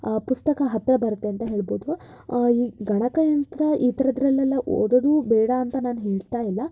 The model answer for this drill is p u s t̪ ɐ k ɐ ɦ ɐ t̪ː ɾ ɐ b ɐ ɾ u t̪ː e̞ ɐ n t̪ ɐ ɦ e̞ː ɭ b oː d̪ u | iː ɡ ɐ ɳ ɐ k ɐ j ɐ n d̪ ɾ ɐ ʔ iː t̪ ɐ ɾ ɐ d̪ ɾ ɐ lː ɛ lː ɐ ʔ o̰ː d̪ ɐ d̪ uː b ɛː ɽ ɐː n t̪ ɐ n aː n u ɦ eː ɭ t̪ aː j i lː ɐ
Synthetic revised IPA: p u s t̪ ɐ k ɐ ɦ ɐ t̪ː ɾ ɐ b ɐ ɾ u t̪ː e̞ ɐ n t̪ ɐ ɦ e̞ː ɭ b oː d̪ u | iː ɡ ɐ ɳ ɐ k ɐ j ɐ n t̪ ɾ ɐ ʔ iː t̪ ɐ ɾ ɐ d̪ ɾ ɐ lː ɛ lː ɐ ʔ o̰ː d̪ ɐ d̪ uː b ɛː ɽ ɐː n t̪ ɐ n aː n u ɦ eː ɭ t̪ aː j i lː ɐ